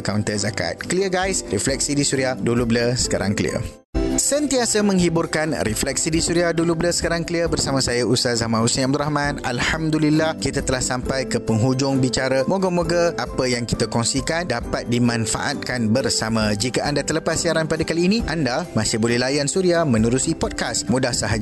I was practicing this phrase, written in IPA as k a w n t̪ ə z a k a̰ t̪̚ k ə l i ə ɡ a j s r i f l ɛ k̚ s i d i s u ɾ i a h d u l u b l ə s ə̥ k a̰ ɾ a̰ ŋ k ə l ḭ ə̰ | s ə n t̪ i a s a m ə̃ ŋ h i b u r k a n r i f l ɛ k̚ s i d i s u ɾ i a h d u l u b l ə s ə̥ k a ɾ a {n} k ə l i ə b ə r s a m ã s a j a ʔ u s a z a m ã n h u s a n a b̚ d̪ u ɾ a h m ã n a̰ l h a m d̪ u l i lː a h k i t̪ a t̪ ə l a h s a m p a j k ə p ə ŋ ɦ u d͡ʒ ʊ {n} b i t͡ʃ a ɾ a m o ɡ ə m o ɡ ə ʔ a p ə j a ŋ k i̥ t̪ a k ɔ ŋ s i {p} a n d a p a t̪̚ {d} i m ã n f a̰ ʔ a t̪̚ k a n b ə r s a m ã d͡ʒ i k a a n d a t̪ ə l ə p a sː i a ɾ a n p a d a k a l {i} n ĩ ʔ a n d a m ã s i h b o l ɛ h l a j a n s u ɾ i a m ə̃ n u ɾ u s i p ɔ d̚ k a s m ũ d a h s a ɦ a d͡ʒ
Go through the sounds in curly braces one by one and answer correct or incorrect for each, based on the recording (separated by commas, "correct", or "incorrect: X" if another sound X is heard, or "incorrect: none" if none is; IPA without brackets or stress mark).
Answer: incorrect: ŋ, incorrect: ŋ, incorrect: k, correct, incorrect: iː